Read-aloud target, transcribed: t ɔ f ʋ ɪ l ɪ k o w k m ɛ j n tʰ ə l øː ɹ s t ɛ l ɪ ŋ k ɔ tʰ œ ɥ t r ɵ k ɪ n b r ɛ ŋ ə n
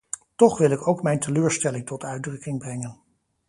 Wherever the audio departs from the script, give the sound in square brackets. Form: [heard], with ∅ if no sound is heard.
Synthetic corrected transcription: t ɔ [χ] ʋ ɪ l ɪ k o w k m ɛ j n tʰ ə l øː ɹ s t ɛ l ɪ ŋ [t] ɔ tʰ œ ɥ [d] r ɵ k ɪ [ŋ] b r ɛ ŋ ə n